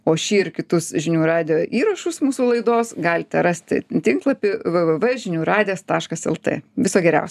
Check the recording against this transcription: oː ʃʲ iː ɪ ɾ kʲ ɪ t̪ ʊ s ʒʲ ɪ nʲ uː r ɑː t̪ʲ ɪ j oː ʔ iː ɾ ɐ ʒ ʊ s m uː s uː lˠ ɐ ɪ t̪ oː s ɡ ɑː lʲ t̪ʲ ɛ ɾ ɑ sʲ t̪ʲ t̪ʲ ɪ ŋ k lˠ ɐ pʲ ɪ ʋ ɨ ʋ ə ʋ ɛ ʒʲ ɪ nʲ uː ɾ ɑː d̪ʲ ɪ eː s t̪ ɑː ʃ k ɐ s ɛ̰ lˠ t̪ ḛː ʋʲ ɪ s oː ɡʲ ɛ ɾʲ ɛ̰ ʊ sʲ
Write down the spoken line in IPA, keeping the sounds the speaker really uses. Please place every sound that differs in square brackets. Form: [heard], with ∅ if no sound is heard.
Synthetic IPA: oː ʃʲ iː ɪ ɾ kʲ ɪ t̪ ʊ s ʒʲ ɪ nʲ uː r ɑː [d̪ʲ] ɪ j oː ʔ iː ɾ ɐ [ʃ] ʊ s m uː s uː lˠ ɐ ɪ [d̪] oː s ɡ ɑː lʲ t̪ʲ ɛ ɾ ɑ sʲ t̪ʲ t̪ʲ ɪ ŋ k lˠ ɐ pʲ ɪ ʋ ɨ ʋ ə ʋ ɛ ʒʲ ɪ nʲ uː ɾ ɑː d̪ʲ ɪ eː s t̪ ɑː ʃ k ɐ s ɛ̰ lˠ t̪ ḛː ʋʲ ɪ s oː ɡʲ ɛ ɾʲ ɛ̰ ʊ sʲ